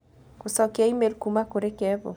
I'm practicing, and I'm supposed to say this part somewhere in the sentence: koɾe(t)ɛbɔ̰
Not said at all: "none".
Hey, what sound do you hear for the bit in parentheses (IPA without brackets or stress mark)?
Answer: k